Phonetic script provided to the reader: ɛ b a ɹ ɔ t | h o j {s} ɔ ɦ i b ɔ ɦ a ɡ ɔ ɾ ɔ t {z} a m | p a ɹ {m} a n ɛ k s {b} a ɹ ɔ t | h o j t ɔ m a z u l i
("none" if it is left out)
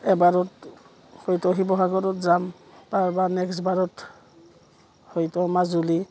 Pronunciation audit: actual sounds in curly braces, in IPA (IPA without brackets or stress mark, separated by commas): t, z, b, b